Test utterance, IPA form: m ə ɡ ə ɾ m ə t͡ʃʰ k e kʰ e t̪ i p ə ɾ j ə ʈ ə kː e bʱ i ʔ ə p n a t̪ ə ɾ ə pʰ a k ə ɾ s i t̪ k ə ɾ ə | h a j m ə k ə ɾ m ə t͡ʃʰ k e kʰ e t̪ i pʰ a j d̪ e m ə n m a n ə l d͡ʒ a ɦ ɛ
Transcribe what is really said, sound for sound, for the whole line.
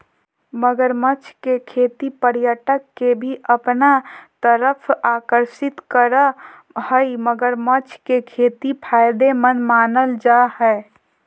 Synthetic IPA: m ə ɡ ə ɾ m ə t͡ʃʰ k e kʰ e t̪ i p ə ɾ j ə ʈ ə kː e bʱ i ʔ ə p n a t̪ ə ɾ ə pʰ a k ə ɾ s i t̪ k ə ɾ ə | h ə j m ə ɡ ə ɾ m ə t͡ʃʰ k e kʰ e t̪ i pʰ a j d̪ e m ə n m a n ə l d͡ʒ a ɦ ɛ

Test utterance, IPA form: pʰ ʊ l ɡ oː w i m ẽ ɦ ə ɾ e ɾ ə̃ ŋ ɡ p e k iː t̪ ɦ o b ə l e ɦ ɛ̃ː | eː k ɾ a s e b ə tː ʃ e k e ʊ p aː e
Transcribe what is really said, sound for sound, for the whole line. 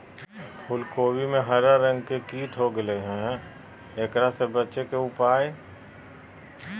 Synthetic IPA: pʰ ʊ l k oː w i m ẽ ɦ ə ɾ a ɾ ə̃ ŋ ɡ k e k iː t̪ ɦ o ɡ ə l e ɦ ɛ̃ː | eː k ɾ a s e b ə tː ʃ e k e ʊ p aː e

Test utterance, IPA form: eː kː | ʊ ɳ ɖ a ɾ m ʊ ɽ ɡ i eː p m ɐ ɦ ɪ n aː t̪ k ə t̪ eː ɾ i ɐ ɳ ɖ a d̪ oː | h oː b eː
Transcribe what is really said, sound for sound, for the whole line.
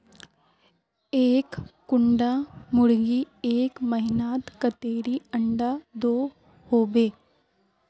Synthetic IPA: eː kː | ʊ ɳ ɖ a m ʊ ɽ ɡ i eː k m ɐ ɦ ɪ n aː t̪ k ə t̪ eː ɾ i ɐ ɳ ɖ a d̪ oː | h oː b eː

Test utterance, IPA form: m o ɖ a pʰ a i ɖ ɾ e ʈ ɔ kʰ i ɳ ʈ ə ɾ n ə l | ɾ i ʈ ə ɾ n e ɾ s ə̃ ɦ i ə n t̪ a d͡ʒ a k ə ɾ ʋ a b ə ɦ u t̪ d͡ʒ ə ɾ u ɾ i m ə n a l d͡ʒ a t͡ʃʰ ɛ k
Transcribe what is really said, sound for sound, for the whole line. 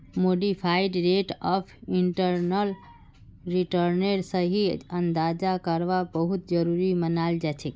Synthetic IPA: m o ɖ i pʰ a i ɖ ɾ e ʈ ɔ pʰ i ɳ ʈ ə ɾ n ə l | ɾ i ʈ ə ɾ n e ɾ s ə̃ ɦ i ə n d̪ a d͡ʒ a k ə ɾ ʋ a b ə ɦ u t̪ d͡ʒ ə ɾ u ɾ i m ə n a l d͡ʒ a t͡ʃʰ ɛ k

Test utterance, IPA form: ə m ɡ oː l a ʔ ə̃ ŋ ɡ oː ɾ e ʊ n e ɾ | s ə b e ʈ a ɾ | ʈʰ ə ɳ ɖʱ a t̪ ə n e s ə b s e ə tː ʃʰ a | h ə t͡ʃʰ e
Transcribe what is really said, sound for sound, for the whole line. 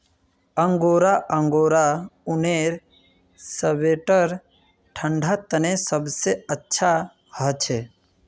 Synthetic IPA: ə ŋ ɡ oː ɾ a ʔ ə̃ ŋ ɡ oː ɾ a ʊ n e ɾ | s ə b e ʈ ə ɾ | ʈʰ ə ɳ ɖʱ a t̪ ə n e s ə b s e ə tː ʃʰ a | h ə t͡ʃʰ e

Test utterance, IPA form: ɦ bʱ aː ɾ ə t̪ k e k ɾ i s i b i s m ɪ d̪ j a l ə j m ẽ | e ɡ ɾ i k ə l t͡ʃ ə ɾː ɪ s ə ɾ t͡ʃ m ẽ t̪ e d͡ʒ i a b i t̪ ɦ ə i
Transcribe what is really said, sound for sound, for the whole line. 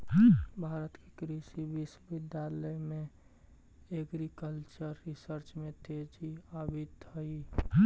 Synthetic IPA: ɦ bʱ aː ɾ ə t̪ k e k ɾ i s i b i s b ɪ d̪ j a l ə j m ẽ | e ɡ ɾ i k ə l t͡ʃ ə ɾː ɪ s ə ɾ t͡ʃ m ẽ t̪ e d͡ʒ i a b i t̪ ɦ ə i

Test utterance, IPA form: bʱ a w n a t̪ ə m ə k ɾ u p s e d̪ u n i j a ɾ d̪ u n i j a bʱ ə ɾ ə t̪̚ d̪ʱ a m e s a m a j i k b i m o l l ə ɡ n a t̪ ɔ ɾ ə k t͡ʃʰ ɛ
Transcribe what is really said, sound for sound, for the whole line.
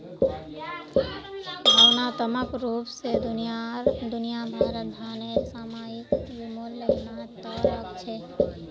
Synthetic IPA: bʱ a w n a t̪ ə m ə k ɾ u p s e d̪ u n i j a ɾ d̪ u n i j a bʱ a ɾ ə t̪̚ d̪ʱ a n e s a m a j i k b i m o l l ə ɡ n a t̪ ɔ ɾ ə k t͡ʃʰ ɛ

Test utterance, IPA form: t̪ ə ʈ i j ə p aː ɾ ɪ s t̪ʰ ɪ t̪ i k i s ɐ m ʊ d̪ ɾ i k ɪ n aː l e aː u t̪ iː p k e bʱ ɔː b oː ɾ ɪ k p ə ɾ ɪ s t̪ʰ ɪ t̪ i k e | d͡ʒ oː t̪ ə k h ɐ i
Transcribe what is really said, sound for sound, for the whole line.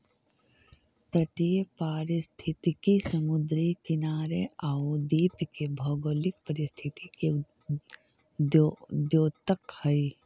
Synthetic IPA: t̪ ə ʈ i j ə p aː ɾ ɪ s t̪ʰ ɪ t̪ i k i s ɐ m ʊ d̪ ɾ i k ɪ n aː ɾ e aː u d̪ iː p k e bʱ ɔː ɡ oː l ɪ k p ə ɾ ɪ s t̪ʰ ɪ t̪ i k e | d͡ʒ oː t̪ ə k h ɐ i

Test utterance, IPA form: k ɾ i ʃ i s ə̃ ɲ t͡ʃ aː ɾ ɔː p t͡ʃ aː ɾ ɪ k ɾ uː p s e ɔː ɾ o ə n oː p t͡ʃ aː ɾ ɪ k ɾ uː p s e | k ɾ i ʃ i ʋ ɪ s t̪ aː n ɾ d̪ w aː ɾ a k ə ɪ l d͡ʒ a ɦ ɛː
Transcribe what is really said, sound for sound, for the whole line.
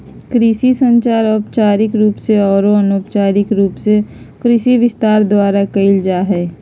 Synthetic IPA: k ɾ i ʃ i s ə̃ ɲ t͡ʃ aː ɾ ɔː p t͡ʃ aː ɾ ɪ k ɾ uː p s e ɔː ɾ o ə n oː p t͡ʃ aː ɾ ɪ k ɾ uː p s e | k ɾ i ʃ i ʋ ɪ s t̪ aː ɾ d̪ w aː ɾ a k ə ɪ l d͡ʒ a ɦ ɛː

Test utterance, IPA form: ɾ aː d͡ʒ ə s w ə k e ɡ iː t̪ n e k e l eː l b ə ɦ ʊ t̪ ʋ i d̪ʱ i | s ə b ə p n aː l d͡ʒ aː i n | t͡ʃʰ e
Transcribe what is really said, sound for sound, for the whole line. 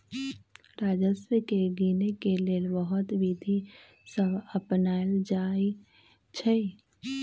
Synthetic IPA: ɾ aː d͡ʒ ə s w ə k e ɡ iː n e k e l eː l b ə ɦ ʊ t̪ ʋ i d̪ʱ i | s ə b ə p n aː l d͡ʒ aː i | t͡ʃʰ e

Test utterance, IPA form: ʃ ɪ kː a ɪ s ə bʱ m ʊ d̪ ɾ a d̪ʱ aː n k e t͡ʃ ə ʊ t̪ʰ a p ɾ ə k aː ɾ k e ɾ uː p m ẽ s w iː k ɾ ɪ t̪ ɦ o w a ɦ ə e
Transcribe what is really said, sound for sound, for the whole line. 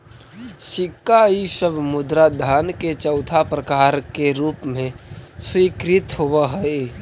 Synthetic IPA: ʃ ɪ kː a i s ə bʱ m ʊ d̪ ɾ a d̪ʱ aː n k e t͡ʃ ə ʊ t̪ʰ a p ɾ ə k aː ɾ k e ɾ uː p m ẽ s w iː k ɾ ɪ t̪ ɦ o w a ɦ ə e

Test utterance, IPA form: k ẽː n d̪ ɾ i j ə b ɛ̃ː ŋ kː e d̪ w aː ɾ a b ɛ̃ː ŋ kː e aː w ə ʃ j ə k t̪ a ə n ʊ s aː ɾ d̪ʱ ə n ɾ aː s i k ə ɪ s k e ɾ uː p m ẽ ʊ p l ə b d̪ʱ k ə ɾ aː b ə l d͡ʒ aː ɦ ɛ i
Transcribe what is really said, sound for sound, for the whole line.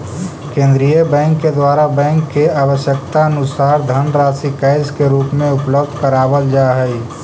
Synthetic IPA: k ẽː n d̪ ɾ i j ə b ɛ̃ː ŋ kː e d̪ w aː ɾ a b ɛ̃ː ŋ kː e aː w ə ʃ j ə k t̪ a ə n ʊ s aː ɾ d̪ʱ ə n ɾ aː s i k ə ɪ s k e ɾ uː p m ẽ ʊ p l ə b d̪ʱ k ə ɾ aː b ə l d͡ʒ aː ɦ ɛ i

